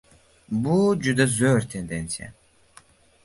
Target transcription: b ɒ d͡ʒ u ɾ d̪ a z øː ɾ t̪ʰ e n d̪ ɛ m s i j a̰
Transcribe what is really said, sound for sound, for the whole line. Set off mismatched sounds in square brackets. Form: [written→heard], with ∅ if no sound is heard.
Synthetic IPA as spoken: b [ɒ→u] d͡ʒ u [ɾ→∅] d̪ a z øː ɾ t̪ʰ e n d̪ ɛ [m→n] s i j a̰